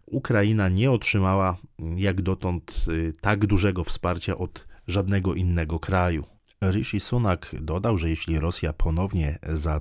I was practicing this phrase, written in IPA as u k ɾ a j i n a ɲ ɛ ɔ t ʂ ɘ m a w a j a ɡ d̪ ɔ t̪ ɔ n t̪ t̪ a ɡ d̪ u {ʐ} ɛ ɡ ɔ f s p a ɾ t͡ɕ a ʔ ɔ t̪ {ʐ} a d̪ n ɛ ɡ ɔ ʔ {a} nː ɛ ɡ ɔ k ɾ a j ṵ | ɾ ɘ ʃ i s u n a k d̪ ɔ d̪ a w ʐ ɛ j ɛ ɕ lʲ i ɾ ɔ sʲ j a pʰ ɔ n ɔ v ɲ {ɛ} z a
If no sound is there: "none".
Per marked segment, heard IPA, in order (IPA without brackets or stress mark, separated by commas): ʐ, ʐ, i, ɛ